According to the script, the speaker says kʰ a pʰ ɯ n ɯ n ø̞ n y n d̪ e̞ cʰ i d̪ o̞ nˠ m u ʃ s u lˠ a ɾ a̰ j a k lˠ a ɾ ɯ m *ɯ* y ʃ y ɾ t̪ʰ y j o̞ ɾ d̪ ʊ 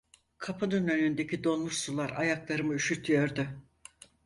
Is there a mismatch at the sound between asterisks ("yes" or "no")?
no